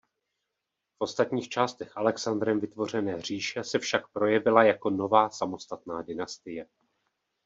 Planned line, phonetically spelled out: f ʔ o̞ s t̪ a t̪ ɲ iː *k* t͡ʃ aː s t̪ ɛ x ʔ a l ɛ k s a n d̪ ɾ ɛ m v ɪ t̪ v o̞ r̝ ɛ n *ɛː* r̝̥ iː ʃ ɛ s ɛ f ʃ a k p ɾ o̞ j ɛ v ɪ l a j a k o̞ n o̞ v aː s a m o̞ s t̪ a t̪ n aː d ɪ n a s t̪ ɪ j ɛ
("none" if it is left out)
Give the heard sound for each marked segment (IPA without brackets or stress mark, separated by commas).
x, ɛː